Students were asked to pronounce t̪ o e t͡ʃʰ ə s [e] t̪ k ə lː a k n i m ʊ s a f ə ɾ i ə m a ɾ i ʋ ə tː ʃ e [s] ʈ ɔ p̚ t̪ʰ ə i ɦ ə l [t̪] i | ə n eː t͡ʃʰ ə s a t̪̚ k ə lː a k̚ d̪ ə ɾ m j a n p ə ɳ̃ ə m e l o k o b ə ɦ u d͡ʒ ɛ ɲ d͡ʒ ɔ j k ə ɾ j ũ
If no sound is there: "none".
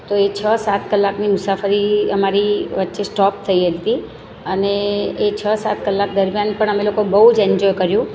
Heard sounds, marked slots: a, s, t̪

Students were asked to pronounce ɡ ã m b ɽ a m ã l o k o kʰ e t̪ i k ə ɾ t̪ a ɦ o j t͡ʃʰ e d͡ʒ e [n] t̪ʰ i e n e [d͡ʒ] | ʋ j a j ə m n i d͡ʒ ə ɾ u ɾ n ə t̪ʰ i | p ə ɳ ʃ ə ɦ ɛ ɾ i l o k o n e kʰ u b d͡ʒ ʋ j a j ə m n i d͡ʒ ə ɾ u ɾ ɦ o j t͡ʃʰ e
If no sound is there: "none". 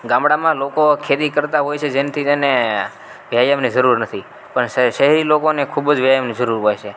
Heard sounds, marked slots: n, none

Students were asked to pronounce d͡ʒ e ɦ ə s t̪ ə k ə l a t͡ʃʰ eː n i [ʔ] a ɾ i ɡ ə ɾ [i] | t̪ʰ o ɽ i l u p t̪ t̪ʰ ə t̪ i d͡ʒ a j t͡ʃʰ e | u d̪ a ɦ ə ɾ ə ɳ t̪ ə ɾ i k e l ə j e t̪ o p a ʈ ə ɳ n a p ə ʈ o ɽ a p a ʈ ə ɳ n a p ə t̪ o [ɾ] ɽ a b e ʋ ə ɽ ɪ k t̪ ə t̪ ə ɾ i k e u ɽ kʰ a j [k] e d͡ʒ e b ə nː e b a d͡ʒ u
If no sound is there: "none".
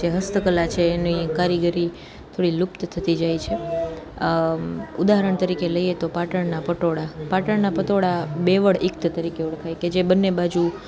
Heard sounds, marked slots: k, i, none, k

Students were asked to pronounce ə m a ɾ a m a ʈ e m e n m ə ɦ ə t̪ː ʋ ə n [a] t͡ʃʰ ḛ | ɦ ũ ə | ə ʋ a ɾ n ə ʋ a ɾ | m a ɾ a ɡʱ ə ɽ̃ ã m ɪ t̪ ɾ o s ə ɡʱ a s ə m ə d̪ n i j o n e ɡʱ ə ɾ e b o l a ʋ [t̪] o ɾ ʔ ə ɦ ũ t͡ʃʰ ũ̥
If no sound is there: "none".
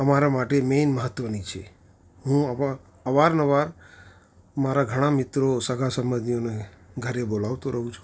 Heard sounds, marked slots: i, t̪

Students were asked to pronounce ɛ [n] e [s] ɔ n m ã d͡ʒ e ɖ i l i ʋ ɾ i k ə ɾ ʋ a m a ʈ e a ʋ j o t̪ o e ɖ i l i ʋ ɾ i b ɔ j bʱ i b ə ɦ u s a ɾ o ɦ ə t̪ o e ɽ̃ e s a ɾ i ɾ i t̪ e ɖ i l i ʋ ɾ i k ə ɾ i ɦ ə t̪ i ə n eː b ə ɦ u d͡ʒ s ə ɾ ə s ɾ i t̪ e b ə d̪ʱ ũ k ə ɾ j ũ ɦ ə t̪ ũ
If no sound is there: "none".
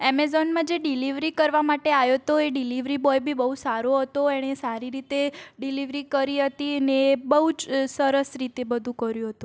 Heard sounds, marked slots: m, z

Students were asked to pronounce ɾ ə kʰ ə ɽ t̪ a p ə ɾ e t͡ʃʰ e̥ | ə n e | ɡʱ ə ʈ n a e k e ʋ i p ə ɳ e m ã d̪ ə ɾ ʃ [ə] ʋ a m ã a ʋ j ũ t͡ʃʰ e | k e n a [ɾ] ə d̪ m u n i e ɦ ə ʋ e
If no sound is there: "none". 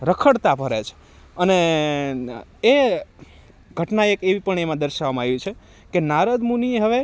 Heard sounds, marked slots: a, ɾ

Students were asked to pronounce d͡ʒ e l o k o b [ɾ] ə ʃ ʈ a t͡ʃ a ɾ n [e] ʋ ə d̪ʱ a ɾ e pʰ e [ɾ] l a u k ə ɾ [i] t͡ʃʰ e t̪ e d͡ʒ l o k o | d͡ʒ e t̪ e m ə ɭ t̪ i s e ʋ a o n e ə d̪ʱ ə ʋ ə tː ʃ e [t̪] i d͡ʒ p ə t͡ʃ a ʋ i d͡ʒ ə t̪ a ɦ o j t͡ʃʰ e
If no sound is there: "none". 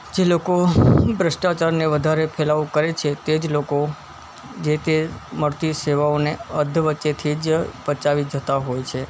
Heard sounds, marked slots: ɾ, e, none, e, t̪ʰ

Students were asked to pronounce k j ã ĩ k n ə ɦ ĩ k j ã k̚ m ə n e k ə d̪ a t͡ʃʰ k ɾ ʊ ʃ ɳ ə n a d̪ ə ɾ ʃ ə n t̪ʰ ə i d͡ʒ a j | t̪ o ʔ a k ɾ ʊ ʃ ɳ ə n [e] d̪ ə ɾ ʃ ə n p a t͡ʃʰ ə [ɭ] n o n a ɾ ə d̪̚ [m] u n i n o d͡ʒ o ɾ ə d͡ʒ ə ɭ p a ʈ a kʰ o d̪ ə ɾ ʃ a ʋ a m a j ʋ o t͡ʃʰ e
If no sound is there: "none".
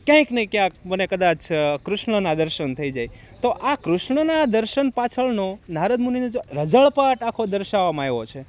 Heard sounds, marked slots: a, ɭ, m

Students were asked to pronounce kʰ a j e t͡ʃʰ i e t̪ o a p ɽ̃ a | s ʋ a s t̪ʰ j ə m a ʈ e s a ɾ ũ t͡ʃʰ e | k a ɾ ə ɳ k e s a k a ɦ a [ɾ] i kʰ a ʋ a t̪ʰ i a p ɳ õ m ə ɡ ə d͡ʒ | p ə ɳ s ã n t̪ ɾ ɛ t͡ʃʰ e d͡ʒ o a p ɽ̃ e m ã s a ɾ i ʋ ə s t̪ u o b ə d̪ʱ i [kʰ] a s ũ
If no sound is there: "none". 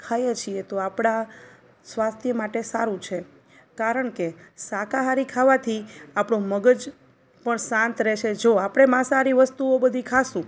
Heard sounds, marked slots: ɾ, kʰ

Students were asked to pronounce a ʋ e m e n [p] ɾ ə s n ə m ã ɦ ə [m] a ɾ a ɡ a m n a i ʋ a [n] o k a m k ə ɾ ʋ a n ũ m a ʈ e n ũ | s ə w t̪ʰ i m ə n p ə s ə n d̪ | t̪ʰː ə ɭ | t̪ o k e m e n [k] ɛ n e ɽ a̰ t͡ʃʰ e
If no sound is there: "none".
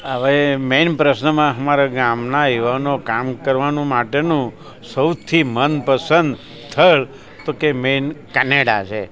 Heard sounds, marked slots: p, m, n, k

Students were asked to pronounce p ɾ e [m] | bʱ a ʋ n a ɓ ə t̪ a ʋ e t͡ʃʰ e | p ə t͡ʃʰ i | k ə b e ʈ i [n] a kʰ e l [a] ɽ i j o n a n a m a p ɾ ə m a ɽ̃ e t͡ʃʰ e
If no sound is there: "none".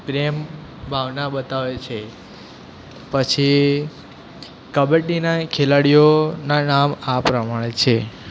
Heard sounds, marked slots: m, n, a

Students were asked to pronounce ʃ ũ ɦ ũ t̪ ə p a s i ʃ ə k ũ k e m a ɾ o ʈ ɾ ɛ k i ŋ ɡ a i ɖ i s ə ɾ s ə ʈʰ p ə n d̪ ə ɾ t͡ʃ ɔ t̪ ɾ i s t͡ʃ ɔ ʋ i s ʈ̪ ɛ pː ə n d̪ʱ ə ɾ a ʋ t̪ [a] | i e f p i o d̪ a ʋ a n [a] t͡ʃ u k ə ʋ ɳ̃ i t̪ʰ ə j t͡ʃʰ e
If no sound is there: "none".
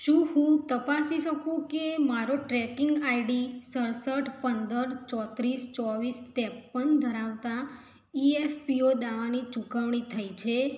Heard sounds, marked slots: a, i

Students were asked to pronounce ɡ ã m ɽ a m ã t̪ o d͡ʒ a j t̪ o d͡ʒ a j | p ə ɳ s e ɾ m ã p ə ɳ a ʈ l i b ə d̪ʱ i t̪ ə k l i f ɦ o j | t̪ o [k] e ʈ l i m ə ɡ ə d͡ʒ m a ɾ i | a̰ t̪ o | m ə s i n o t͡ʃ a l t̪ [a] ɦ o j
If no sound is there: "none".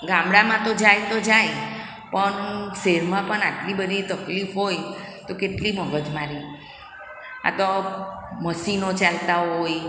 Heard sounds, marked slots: k, a

